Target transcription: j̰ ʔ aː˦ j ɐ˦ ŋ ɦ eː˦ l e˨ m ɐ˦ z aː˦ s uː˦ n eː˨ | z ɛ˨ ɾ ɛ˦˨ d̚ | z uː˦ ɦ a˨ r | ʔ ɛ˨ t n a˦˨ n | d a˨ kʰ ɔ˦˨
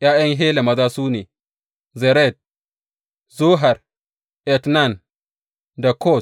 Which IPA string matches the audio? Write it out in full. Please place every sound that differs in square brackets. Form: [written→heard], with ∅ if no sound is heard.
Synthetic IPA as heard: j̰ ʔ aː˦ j ɐ˦ ŋ ɦ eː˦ l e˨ m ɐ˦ z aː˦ s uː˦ n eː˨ | z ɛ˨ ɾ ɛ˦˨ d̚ | z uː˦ ɦ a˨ r | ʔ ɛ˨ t n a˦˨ n | d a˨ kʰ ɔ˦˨